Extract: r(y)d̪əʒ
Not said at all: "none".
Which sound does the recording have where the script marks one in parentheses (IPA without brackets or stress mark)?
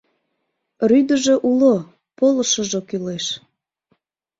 y